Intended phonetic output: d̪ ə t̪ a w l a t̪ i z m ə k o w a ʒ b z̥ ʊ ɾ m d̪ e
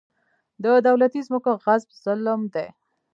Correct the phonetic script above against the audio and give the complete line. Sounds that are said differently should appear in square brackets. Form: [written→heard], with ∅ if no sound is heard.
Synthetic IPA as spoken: d̪ ə [t̪→d̪] a w l a t̪ i z m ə k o [w→ɣ] a [ʒ→z] b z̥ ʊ [ɾ→l] m d̪ e